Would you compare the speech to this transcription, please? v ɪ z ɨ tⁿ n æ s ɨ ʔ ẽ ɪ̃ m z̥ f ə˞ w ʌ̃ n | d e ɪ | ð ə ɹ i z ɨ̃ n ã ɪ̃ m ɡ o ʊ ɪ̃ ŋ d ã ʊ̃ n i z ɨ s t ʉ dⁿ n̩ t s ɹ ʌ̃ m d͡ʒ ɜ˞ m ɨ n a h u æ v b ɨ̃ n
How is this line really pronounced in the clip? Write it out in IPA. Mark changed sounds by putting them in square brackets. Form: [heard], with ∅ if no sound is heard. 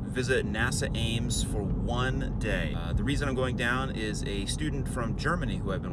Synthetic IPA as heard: v ɪ z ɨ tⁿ n æ s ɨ ʔ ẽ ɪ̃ m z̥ f ə˞ w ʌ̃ n | d e ɪ | ð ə ɹ i z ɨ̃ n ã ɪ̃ m ɡ o ʊ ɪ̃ ŋ d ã ʊ̃ n [ɪ] z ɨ s t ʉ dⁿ n̩ t [f] ɹ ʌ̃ m d͡ʒ ɜ˞ m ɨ n [i] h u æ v b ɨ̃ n